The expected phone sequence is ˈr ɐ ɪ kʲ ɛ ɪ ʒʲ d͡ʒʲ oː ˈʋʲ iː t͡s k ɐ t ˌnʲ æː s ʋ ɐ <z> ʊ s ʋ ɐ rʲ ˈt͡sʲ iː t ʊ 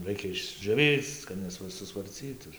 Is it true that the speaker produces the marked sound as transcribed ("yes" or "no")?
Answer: no